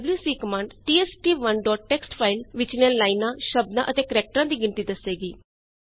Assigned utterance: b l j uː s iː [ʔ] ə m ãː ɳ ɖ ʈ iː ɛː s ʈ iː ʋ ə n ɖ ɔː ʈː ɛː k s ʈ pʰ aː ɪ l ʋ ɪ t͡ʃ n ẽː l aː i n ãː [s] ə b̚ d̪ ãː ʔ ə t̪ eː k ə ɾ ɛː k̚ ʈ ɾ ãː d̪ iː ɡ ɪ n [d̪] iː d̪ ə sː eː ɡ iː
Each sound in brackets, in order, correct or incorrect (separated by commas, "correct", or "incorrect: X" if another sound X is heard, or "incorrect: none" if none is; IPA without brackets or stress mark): incorrect: k, incorrect: ʃ, incorrect: t̪